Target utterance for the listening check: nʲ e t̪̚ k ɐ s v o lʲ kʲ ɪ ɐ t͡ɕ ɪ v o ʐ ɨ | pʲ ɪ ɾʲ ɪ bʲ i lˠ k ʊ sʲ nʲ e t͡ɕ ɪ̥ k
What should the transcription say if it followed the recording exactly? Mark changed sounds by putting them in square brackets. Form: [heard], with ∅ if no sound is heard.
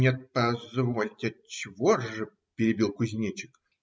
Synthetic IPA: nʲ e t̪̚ [p] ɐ [z] v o lʲ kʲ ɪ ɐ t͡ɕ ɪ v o ʐ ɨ | pʲ ɪ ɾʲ ɪ bʲ i lˠ k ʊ [zʲ] nʲ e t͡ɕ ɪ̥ k